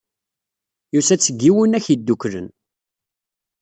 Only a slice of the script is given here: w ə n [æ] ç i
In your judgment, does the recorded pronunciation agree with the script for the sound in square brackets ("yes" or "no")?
yes